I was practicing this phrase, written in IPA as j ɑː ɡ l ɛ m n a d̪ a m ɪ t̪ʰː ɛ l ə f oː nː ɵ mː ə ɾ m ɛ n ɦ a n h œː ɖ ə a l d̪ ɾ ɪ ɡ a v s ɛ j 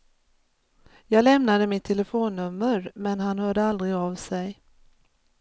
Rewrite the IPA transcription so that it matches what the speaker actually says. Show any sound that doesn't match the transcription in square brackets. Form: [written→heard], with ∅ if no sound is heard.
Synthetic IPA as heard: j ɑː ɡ l ɛ m n a d̪ [a→ə] m ɪ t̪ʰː ɛ l ə f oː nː ɵ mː ə ɾ m ɛ n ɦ a n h œː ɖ ə a l d̪ ɾ ɪ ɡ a v s ɛ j